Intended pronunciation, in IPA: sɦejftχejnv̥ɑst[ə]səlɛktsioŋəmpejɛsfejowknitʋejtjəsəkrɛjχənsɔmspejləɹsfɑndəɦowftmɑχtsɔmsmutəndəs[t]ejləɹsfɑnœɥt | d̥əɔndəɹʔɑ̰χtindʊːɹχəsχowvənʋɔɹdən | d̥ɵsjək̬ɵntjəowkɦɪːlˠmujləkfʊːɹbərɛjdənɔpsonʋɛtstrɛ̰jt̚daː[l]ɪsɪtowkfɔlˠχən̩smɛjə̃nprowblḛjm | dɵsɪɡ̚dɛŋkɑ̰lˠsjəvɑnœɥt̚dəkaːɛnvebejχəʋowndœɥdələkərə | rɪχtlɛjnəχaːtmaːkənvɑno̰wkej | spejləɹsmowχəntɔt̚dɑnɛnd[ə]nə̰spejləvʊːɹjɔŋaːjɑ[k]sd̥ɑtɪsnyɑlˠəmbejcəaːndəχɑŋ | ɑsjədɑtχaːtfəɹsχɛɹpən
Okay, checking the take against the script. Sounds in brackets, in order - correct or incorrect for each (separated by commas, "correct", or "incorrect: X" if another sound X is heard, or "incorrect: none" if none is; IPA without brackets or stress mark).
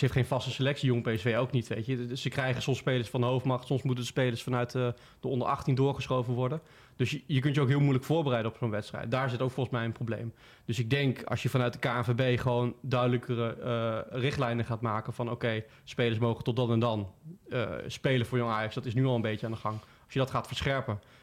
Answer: correct, incorrect: p, incorrect: ɹ, incorrect: ɑ, correct